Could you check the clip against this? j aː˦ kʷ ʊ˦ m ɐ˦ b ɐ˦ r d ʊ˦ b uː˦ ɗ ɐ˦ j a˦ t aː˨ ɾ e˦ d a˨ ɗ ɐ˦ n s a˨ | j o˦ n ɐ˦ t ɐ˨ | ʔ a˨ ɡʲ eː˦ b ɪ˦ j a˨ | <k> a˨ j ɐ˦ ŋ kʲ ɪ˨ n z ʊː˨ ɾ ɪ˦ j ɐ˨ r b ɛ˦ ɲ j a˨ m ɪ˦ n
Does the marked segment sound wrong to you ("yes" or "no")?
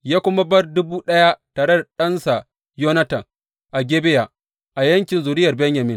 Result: yes